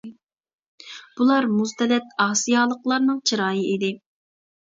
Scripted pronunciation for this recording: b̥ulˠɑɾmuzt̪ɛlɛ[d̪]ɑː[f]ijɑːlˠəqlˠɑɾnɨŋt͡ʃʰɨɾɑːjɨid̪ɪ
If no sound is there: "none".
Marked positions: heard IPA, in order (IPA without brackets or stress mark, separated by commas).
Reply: t̪, s